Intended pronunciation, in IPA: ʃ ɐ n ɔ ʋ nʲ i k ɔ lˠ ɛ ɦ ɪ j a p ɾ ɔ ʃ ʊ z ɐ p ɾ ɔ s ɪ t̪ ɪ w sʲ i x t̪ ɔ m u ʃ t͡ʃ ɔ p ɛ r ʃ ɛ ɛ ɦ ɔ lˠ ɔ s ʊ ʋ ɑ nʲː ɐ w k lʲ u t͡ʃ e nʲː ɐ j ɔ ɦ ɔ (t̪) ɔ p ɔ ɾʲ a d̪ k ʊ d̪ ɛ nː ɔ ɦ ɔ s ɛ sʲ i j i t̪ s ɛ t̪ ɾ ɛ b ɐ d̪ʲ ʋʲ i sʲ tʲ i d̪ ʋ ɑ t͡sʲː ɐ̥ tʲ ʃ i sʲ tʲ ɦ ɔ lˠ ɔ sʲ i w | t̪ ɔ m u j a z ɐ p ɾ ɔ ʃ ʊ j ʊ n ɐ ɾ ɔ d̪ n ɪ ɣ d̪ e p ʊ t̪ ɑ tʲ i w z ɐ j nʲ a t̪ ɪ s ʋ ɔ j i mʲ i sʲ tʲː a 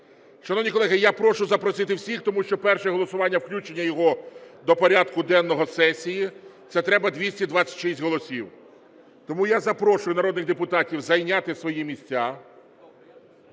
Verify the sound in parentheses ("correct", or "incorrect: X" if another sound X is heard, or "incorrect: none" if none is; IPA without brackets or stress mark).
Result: incorrect: d̪